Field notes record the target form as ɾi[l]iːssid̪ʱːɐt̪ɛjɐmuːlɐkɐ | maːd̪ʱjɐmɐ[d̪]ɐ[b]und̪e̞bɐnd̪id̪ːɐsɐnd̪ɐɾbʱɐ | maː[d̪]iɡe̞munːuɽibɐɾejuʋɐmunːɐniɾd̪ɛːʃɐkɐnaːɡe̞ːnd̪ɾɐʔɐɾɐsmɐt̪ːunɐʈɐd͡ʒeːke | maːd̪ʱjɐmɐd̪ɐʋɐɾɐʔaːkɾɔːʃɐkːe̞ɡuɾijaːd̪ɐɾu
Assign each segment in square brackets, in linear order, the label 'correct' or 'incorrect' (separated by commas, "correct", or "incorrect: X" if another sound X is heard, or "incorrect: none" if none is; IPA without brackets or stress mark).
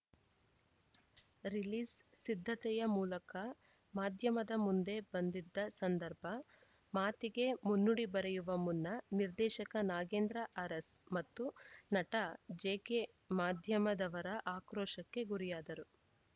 correct, correct, incorrect: m, incorrect: t̪